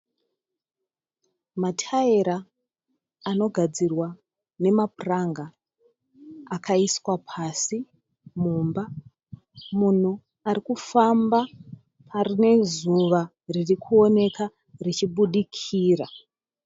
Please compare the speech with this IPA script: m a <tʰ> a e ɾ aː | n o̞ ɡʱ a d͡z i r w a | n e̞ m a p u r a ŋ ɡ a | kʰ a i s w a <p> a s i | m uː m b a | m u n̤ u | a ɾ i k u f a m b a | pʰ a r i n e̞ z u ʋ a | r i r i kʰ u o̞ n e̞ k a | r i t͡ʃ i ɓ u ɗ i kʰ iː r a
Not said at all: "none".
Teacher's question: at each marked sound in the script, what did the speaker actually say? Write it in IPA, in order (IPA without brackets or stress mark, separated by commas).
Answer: tʰ, pʰ